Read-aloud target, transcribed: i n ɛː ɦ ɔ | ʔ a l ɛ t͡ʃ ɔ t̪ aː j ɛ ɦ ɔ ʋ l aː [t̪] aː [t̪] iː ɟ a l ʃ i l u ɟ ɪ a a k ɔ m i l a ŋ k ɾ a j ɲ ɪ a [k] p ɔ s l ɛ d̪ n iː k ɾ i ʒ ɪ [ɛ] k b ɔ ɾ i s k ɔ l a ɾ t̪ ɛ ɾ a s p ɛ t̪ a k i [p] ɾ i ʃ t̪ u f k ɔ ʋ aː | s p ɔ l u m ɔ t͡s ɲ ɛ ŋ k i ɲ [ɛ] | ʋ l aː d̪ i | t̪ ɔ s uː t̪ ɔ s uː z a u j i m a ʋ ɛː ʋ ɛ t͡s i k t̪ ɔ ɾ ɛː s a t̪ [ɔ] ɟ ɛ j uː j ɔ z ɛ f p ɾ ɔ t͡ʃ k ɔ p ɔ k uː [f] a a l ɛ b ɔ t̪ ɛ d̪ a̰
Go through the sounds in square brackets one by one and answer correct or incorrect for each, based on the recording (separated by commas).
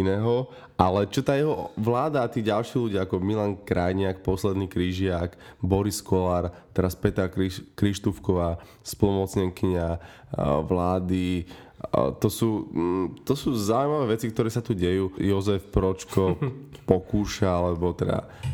incorrect, correct, correct, incorrect, incorrect, incorrect, incorrect, incorrect